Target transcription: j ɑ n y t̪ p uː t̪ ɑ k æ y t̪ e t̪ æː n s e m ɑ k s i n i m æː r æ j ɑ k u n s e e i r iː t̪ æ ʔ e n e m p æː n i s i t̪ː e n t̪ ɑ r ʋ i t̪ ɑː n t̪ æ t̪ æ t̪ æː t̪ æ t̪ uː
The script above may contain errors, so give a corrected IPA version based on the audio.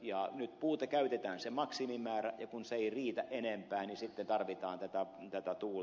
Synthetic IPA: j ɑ n y t̪ p uː t̪ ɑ k æ y t̪ e t̪ æː n s e m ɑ k s i m i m æː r æ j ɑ k u n s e e i r iː t̪ æ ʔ e n e m p æː n i s i t̪ː e n t̪ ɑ r ʋ i t̪ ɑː n t̪ æ t̪ æ t̪ æ t̪ æ t̪ uː